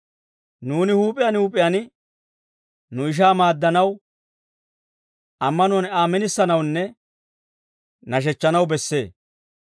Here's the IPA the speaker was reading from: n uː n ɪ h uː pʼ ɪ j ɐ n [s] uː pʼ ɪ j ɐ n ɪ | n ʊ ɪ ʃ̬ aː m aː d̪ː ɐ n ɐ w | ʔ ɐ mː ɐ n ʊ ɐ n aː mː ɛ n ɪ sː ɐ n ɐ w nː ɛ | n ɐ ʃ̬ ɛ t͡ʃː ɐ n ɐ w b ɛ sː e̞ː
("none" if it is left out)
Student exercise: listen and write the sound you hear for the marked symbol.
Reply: h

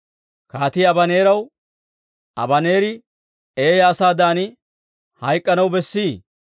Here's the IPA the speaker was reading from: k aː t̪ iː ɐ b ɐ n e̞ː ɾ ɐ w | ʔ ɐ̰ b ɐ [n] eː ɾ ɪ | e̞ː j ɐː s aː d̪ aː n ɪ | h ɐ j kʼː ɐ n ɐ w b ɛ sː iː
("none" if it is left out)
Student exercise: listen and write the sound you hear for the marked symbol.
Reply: n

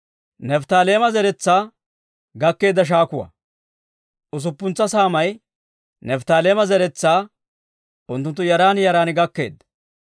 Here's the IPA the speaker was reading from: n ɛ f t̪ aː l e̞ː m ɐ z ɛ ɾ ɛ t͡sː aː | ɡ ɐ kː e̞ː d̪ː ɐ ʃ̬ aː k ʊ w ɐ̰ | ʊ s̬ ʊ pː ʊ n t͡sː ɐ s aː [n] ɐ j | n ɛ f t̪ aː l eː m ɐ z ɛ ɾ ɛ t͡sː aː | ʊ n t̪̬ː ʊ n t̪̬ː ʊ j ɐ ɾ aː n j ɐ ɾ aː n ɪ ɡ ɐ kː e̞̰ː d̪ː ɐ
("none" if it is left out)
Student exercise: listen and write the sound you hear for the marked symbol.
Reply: m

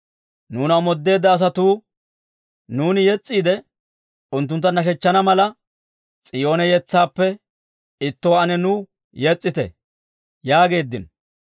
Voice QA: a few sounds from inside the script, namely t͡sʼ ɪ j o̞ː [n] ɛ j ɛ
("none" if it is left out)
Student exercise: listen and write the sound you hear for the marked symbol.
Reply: n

